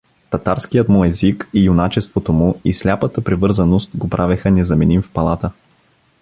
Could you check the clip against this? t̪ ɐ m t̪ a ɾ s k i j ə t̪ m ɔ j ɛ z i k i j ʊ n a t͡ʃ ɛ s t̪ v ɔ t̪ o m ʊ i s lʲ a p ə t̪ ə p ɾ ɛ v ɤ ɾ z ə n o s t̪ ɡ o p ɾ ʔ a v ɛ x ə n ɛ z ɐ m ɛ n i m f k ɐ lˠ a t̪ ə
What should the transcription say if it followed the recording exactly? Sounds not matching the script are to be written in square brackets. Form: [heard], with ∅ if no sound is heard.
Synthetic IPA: t̪ ɐ [∅] t̪ a ɾ s k i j ə t̪ m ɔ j ɛ z i k i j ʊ n a t͡ʃ ɛ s t̪ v [o] t̪ o m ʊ i s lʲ a p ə t̪ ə p ɾ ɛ v ɤ ɾ z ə n o s t̪ ɡ o p ɾ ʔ a v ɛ x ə n ɛ z ɐ m ɛ n i m f [p] ɐ lˠ a t̪ ə